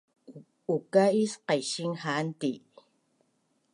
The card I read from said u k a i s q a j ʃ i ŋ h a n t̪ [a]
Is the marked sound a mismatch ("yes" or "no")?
yes